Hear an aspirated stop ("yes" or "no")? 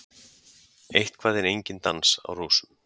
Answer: yes